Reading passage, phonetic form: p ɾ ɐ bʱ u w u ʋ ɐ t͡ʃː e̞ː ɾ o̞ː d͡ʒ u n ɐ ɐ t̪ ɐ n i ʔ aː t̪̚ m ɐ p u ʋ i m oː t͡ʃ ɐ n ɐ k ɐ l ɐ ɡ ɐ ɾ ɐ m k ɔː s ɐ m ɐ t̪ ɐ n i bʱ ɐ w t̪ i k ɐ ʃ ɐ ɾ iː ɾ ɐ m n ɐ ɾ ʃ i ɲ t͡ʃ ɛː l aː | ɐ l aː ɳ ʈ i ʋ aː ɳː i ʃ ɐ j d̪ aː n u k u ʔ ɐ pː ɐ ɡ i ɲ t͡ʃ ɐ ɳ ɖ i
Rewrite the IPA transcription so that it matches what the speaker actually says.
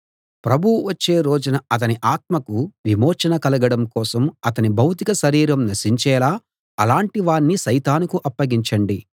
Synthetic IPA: p ɾ ɐ bʱ u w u ʋ ɐ t͡ʃː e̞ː ɾ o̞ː d͡ʒ u n ɐ ɐ t̪ ɐ n i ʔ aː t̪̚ m ɐ k u ʋ i m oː t͡ʃ ɐ n ɐ k ɐ l ɐ ɡ ɐ ɽ ɐ m k ɔː s ɐ m ɐ t̪ ɐ n i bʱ ɐ w t̪ i k ɐ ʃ ɐ ɾ iː ɾ ɐ m n ɐ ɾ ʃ i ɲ t͡ʃ ɛː l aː | ɐ l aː ɳ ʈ i ʋ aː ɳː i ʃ ɐ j t̪ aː n u k u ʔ ɐ pː ɐ ɡ i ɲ t͡ʃ ɐ ɳ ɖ i